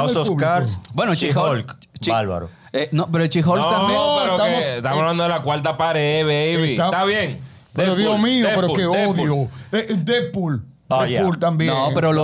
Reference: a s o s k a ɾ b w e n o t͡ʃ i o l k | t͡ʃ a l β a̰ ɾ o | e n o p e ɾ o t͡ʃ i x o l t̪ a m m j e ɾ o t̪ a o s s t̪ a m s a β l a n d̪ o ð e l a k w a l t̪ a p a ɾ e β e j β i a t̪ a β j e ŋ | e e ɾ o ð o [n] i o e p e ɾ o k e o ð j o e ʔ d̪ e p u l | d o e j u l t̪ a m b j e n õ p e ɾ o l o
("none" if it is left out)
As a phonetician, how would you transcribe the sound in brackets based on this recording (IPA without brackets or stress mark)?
m